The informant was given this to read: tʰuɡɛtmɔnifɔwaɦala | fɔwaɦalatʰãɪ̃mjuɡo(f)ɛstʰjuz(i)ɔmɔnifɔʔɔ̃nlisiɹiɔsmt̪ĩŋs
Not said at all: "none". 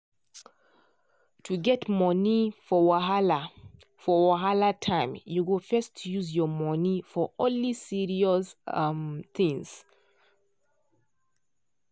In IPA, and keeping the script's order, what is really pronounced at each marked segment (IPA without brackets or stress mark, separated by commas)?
f, j